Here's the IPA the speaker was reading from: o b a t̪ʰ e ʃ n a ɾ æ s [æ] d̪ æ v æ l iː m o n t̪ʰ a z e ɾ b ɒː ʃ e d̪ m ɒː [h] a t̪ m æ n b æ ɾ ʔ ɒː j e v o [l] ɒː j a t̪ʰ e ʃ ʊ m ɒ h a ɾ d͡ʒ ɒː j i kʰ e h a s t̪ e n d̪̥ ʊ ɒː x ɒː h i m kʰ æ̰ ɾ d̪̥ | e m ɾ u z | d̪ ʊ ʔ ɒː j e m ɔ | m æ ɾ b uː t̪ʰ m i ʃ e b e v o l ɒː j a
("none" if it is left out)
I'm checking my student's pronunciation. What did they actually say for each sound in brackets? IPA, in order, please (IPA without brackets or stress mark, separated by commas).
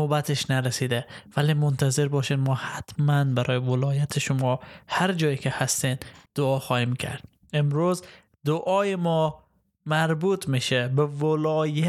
i, h, l